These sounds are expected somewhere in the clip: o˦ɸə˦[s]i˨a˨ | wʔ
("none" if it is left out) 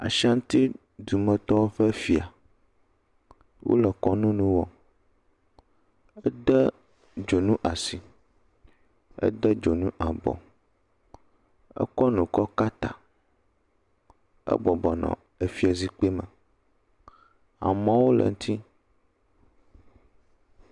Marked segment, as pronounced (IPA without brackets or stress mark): f